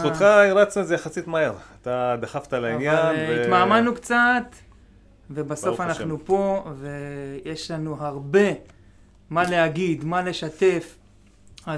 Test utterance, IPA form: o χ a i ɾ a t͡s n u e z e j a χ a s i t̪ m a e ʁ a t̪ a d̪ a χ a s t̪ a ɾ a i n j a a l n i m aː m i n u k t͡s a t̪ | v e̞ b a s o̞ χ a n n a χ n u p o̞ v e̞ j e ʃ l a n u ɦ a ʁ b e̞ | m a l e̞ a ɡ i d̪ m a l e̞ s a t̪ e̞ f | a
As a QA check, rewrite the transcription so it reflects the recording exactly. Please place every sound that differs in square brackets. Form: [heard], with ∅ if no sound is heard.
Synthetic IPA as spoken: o χ a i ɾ a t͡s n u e z e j a χ a s i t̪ m a e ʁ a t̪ a d̪ a χ a [f] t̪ a [l] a i n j a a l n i m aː m [a] n u k t͡s a t̪ | v e̞ b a s o̞ [f] a n n a χ n u p o̞ v e̞ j e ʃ l a n u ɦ a ʁ b e̞ | m a l e̞ a ɡ i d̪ m a l e̞ [ʃ] a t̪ e̞ f | a